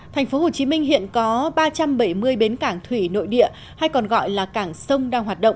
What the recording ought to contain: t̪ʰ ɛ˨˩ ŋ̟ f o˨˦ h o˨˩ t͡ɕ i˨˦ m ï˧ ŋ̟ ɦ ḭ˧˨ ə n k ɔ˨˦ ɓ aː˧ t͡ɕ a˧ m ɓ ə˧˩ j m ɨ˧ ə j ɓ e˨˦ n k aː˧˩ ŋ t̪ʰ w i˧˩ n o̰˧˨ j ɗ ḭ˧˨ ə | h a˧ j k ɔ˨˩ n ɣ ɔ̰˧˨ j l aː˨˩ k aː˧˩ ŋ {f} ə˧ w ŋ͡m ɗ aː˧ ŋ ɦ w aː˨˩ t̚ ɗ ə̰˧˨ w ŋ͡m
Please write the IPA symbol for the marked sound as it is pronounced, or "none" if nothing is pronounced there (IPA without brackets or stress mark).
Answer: s